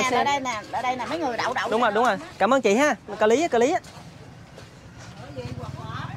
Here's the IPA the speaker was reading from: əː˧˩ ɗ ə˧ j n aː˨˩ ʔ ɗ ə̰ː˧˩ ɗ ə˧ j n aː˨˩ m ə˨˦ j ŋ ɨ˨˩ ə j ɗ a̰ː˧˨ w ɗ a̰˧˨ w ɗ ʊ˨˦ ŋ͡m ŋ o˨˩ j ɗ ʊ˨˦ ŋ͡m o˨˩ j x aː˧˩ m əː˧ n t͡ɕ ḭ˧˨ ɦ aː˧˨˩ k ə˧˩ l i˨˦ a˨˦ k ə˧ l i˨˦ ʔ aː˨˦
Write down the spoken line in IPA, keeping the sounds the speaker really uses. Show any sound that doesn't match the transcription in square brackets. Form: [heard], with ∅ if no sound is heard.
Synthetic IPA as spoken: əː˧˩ ɗ ə˧ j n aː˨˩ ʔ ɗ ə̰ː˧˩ ɗ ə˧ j n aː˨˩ m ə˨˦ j ŋ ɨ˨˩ ə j ɗ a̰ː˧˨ w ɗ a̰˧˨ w ɗ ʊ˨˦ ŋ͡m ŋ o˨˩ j ɗ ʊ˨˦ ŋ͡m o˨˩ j [k] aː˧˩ m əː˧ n t͡ɕ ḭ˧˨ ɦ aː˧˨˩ k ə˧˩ l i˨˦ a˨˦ k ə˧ l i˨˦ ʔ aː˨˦